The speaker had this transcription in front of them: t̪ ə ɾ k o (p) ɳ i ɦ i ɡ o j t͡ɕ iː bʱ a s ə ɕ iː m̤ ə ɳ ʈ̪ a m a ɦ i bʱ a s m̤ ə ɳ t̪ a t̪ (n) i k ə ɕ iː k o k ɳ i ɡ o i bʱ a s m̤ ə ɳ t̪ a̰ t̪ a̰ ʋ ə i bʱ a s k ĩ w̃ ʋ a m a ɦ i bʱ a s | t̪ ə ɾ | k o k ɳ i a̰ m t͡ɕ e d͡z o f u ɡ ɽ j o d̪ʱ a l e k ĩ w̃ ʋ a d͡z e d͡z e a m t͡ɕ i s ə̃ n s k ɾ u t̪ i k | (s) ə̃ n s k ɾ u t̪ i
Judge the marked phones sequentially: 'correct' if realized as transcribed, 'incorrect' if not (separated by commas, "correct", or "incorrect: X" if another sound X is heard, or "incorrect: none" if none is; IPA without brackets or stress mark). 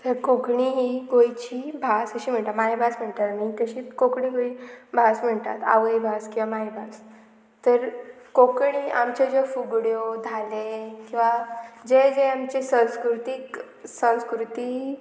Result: incorrect: k, incorrect: m, correct